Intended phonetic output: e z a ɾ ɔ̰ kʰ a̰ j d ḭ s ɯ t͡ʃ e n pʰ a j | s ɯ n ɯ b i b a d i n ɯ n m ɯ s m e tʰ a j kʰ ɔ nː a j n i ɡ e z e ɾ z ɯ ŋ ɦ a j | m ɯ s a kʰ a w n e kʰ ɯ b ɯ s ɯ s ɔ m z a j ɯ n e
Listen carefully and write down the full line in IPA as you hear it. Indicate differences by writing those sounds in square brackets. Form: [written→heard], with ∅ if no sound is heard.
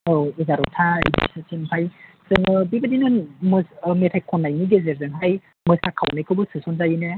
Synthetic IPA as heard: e z a ɾ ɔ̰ [kʰ→tʰ] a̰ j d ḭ s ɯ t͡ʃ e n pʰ a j | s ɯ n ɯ b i b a d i n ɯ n m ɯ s m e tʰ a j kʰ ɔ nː a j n i ɡ e z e ɾ z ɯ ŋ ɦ a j | m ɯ s a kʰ a w n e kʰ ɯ b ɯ s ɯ s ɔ [m→n] z a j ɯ n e